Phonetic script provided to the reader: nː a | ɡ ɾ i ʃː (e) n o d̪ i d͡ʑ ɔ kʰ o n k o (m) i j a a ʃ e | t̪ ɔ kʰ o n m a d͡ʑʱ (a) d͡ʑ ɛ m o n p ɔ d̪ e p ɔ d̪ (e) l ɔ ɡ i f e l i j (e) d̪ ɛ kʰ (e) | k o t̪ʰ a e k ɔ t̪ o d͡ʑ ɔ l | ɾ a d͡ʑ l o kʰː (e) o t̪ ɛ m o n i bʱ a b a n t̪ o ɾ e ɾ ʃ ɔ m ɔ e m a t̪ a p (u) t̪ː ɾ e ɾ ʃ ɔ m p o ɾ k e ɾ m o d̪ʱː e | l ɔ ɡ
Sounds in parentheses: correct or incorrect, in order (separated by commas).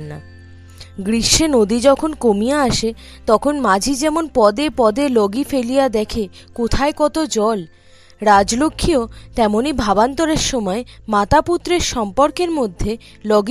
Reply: correct, correct, incorrect, correct, incorrect, correct, incorrect, correct